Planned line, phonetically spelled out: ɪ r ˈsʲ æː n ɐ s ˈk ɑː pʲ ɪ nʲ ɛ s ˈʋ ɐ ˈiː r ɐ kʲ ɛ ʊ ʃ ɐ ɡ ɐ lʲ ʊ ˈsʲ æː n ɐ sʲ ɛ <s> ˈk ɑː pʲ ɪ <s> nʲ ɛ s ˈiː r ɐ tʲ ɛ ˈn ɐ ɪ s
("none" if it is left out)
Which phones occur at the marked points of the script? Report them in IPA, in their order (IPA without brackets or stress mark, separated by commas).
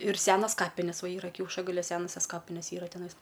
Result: s, none